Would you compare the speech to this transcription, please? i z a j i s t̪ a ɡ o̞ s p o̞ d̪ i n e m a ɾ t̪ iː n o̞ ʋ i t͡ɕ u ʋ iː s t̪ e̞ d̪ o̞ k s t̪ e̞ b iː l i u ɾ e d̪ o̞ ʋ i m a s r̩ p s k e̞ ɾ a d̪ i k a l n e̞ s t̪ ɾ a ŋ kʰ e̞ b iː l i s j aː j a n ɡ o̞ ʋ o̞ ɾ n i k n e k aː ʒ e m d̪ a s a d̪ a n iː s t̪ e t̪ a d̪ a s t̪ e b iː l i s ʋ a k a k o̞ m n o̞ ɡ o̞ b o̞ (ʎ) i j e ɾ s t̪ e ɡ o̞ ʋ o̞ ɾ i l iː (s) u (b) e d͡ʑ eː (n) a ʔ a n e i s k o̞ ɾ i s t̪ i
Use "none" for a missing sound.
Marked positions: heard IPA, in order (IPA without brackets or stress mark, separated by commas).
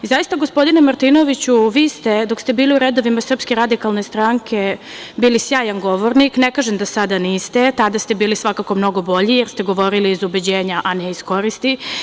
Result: ʎ, z, b, ɲ